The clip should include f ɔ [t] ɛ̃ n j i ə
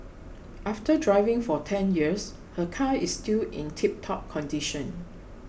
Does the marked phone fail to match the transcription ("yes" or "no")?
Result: yes